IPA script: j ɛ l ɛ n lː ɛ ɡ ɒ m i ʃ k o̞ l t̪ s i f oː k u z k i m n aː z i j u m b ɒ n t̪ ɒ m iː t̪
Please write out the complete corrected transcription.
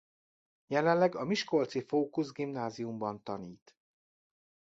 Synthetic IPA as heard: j ɛ l ɛ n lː ɛ ɡ ɒ m i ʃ k o̞ l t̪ s i f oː k u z ɡ i m n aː z i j u m b ɒ n t̪ ɒ n iː t̪